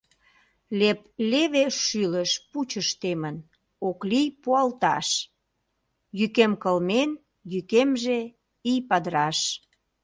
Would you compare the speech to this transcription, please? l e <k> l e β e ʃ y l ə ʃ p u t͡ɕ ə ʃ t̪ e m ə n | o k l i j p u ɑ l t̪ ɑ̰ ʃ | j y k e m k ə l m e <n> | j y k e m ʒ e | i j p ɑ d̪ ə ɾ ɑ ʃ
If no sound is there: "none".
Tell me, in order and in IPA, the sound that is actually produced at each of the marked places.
p, n

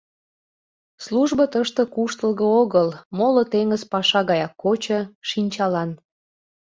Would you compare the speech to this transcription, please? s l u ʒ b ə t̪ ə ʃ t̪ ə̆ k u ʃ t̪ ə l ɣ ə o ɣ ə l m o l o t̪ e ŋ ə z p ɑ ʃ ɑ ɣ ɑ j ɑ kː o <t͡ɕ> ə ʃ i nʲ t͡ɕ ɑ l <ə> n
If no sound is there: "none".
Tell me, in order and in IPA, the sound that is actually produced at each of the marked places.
t͡ɕ, ɑ

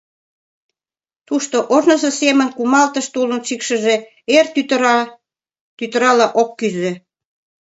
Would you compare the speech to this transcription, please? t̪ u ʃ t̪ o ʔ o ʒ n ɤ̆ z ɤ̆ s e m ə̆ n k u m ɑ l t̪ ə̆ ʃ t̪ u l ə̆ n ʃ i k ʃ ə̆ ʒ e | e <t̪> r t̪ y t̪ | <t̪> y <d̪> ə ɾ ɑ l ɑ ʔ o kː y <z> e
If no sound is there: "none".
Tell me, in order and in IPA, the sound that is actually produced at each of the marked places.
none, t̪, t̪, z

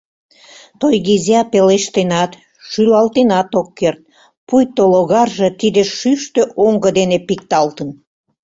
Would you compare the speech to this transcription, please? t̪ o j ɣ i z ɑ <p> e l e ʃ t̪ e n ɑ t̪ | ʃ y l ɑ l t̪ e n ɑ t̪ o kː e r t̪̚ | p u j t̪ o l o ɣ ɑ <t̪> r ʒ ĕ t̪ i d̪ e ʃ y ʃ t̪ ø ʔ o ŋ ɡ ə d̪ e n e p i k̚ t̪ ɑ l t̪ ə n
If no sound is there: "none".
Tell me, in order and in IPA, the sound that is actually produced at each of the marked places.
p, none

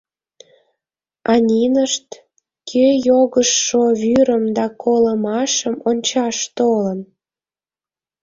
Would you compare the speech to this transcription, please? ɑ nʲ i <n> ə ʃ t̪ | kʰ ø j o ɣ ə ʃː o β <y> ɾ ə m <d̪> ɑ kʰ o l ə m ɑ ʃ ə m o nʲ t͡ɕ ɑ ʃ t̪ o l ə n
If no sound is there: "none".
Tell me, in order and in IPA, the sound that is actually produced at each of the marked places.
n, y, d̪

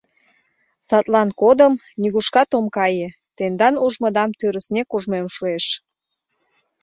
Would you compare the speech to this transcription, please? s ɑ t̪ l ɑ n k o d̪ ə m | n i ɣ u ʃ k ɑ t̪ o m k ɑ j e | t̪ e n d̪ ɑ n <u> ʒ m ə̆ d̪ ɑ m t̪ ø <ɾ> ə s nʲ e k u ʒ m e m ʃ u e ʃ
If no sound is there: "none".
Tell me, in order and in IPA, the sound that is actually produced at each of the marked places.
u, ɾ

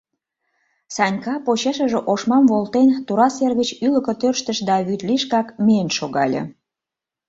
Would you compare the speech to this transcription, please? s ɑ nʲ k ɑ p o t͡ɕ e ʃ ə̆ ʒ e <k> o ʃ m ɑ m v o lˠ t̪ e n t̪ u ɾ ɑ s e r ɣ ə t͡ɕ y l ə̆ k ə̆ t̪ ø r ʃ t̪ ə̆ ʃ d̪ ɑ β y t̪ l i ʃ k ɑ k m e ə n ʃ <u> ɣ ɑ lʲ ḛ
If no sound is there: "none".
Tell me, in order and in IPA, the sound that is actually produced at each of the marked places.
ʔ, o

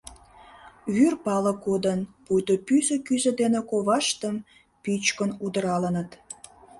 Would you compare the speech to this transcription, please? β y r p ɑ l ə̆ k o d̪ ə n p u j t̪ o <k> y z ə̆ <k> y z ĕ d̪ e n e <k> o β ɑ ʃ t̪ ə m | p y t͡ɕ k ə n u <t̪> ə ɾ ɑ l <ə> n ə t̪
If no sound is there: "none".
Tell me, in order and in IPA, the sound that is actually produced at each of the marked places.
p, k, k, d̪, ə

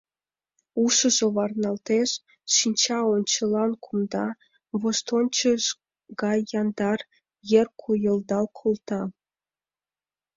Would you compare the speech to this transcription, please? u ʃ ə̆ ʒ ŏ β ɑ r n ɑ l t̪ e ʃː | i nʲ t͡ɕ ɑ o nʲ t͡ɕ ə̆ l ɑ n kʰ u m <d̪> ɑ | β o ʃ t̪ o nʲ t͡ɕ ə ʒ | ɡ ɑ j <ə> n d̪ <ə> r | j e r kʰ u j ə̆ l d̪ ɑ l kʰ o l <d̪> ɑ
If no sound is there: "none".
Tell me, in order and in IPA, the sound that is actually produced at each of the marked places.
d̪, ɑ, ɑ, t̪

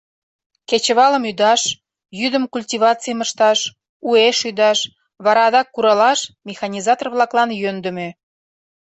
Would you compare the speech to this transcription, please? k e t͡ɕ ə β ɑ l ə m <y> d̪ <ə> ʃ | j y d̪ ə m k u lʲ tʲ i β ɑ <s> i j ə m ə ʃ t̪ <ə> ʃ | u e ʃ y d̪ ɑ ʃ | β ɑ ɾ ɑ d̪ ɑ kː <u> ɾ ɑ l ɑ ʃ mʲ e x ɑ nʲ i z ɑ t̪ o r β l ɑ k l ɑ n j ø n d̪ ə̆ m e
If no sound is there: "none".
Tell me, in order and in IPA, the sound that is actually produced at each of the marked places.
y, ɑ, t͡s, ɑ, u

